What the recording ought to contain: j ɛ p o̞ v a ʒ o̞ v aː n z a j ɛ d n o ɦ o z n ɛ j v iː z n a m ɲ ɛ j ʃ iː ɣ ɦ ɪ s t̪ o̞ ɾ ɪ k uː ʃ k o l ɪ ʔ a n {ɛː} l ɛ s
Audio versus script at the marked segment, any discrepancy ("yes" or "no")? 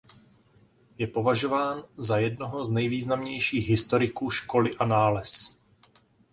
yes